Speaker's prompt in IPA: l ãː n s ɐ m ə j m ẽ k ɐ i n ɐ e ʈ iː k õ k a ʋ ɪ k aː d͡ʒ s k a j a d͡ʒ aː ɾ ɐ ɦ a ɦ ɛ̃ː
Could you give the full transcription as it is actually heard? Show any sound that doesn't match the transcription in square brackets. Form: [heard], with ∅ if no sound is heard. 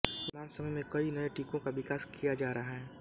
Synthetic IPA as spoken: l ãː n s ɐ m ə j m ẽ k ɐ i n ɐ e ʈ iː k õ k a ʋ ɪ k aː [∅] s k [i] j a d͡ʒ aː ɾ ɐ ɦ a ɦ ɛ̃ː